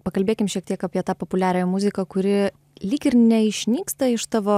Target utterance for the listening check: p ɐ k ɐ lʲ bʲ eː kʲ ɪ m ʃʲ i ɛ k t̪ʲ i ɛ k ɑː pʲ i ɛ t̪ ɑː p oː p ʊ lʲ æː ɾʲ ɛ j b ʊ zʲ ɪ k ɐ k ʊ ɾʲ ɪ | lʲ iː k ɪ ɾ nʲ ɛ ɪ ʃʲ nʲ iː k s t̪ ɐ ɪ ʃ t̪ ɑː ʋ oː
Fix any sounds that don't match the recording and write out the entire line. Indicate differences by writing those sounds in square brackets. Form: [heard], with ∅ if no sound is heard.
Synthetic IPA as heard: p ɐ k ɐ lʲ bʲ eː kʲ ɪ m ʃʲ i ɛ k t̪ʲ i ɛ k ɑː pʲ i ɛ t̪ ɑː p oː p ʊ lʲ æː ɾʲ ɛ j [m] ʊ zʲ ɪ k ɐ k ʊ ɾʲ ɪ | lʲ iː k ɪ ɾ nʲ ɛ ɪ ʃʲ nʲ iː k s t̪ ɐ ɪ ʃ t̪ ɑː ʋ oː